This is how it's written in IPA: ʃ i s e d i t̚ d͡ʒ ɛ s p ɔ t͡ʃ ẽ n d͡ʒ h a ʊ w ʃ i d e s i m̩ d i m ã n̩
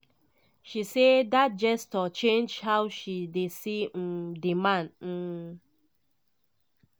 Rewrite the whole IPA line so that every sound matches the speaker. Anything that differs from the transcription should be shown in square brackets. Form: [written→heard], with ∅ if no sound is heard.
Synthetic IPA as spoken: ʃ i s e d [i→a] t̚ d͡ʒ ɛ s [p→t] ɔ t͡ʃ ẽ n d͡ʒ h a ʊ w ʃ i d e s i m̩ d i m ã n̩